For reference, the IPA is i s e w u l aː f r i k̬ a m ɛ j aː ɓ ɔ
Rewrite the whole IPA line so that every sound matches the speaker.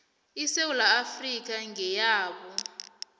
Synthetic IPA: i s e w u l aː f r i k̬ a ŋ ɛ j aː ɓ ɔ